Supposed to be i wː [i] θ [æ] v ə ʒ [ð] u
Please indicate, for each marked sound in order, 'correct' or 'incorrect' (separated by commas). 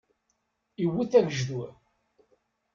correct, correct, correct